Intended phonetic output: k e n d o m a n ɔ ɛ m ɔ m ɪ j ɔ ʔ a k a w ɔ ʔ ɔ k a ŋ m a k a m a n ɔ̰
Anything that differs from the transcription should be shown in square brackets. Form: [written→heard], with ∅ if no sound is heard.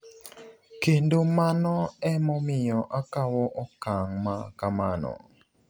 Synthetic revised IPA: k e n d o m a n ɔ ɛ m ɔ m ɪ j ɔ ʔ a k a w ɔ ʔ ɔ k a ŋ m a k a m a n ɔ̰